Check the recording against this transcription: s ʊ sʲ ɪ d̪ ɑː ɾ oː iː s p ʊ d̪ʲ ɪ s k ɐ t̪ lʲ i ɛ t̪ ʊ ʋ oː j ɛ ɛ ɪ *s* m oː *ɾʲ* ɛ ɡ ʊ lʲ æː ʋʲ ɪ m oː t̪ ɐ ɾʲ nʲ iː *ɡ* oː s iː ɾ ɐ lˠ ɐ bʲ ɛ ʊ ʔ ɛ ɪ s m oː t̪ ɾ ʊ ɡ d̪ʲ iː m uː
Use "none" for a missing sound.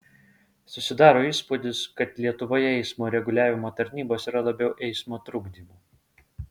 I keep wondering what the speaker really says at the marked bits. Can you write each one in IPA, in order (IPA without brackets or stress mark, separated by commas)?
s, ɾʲ, b